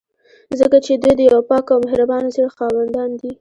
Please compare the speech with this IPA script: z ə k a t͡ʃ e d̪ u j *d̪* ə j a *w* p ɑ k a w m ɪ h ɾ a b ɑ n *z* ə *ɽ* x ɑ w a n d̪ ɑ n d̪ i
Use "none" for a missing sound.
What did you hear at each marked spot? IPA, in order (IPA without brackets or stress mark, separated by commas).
d̪, w, z, ɽ